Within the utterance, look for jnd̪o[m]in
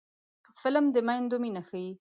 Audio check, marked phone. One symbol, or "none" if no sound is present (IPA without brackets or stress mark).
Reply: m